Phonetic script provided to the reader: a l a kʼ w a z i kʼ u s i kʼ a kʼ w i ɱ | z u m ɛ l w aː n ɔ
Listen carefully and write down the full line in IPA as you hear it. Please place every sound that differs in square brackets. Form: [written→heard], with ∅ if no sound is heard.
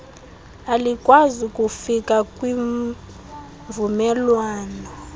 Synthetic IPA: a l [a→i] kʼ w a z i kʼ u [s→f] i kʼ a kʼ w i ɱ | [z→v] u m ɛ l w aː n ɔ